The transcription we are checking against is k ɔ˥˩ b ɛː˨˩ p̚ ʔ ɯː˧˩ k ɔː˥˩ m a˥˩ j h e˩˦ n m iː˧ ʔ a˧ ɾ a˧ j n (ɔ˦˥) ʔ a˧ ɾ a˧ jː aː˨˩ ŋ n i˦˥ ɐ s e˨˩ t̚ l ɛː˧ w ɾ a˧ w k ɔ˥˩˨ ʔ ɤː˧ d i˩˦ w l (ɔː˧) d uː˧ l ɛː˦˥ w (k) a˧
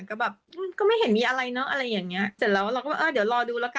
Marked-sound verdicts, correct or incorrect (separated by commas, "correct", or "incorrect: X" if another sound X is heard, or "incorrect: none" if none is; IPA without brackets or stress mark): correct, correct, correct